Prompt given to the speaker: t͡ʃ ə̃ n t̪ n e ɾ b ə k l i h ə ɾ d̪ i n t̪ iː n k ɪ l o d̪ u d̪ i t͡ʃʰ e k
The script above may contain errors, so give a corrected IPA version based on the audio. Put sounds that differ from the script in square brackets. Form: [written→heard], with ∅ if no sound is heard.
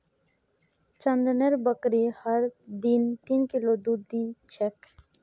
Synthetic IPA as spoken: t͡ʃ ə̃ n [t̪→d̪] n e ɾ b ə k [l→ɾ] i h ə ɾ d̪ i n t̪ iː n k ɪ l o d̪ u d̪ i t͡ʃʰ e k